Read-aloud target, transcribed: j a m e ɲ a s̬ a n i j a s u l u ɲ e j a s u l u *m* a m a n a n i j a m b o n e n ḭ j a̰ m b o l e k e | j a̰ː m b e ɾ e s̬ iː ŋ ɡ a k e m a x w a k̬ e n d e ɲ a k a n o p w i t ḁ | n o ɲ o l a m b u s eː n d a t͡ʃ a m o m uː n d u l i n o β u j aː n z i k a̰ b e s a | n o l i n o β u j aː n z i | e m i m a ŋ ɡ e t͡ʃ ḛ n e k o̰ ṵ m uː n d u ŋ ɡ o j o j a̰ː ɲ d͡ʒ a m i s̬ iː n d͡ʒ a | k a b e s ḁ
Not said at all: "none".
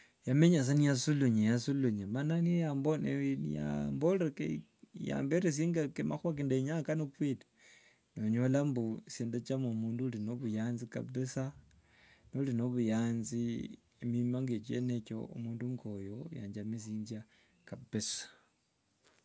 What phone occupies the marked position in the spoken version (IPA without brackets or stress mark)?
ɲ